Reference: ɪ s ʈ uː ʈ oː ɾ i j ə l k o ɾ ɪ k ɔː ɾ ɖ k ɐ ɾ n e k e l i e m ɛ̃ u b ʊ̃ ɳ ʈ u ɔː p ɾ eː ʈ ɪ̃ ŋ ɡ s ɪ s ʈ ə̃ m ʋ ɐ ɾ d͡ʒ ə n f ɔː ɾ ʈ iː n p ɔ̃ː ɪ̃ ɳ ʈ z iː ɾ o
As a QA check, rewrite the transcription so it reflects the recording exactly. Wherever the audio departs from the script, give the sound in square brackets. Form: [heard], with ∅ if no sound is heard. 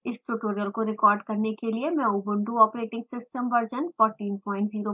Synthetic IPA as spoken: ɪ s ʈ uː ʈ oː ɾ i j ə l k o ɾ ɪ k ɔː ɾ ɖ k ɐ ɾ n e k e l i e m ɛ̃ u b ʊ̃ ɳ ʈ u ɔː p ɾ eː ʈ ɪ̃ ŋ ɡ s ɪ s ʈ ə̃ m ʋ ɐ ɾ d͡ʒ ə n f ɔː ɾ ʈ iː n p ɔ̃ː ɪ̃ ɳ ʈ z iː ɾ o